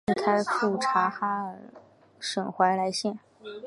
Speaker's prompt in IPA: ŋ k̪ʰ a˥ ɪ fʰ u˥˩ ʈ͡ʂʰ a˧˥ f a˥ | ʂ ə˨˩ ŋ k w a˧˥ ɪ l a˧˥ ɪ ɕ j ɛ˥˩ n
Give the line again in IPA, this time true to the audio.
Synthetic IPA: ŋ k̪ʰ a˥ ɪ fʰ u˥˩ ʈ͡ʂʰ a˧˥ x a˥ | ʂ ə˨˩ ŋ x w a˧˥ ɪ l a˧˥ ɪ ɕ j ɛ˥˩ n